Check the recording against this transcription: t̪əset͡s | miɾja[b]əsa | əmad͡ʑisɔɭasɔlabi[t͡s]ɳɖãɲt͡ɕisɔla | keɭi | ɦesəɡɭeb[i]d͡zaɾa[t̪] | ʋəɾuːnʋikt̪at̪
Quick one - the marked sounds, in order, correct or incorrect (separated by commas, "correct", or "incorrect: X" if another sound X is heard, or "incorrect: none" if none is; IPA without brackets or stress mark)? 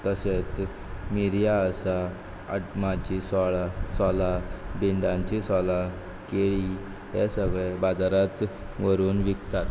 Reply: incorrect: none, incorrect: none, incorrect: a, correct